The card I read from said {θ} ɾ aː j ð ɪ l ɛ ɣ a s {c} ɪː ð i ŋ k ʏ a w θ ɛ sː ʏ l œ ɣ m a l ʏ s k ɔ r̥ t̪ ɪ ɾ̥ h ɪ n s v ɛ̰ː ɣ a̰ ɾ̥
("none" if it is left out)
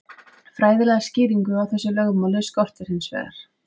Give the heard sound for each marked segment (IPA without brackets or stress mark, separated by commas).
f, c